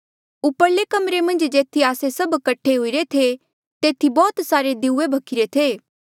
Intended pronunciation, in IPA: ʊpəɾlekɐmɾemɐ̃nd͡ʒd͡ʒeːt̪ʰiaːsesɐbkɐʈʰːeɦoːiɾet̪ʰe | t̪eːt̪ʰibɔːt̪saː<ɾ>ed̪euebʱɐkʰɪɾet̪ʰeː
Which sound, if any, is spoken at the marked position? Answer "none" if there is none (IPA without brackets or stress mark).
ɾ